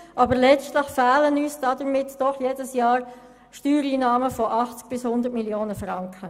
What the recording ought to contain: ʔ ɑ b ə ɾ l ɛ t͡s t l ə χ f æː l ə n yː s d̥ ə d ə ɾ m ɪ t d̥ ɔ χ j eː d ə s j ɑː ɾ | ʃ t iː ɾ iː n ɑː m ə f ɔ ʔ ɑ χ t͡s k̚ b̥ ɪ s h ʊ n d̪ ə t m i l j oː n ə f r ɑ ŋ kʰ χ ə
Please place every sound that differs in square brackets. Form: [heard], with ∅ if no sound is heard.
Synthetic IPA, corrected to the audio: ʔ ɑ b ə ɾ l ɛ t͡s t l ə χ f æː l ə n yː s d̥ [ɑ] d ə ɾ m ɪ t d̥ ɔ χ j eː d ə s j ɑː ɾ | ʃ t [yː] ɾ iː n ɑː m ə f ɔ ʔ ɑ χ t͡s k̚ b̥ ɪ s h ʊ n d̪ ə t m i l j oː n ə f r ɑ ŋ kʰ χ ə